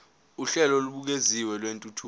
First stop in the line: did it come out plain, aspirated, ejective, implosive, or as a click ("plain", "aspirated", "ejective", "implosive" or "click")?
implosive